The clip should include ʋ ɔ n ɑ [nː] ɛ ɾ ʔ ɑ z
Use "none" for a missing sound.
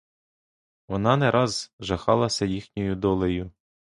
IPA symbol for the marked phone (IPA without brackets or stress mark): n